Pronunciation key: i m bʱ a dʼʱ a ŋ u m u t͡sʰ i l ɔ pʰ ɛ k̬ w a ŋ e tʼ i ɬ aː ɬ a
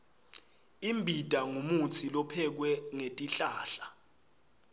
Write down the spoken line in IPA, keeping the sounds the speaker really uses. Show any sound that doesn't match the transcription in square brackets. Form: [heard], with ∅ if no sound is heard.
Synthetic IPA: i m bʱ [i] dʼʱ a ŋ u m u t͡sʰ i l ɔ pʰ ɛ k̬ w [ɛ] ŋ e tʼ i ɬ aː ɬ a